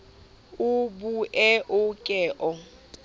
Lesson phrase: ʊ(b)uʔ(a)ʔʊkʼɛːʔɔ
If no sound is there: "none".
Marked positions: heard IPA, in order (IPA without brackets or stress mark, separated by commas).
b, ɛ